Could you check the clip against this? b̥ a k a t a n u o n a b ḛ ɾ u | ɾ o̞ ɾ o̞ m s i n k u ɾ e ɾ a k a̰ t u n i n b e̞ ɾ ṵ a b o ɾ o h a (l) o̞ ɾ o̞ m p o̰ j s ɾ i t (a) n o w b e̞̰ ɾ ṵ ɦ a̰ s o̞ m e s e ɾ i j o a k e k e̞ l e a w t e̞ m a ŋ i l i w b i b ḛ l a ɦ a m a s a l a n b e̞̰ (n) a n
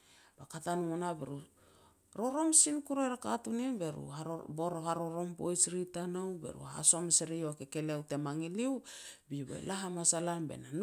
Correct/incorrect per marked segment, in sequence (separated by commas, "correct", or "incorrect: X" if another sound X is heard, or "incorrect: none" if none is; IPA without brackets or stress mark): incorrect: ɾ, correct, correct